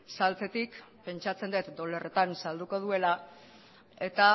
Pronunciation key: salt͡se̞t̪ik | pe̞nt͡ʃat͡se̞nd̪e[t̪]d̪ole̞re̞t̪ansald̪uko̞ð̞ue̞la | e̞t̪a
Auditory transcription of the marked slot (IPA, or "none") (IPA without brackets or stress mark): t̪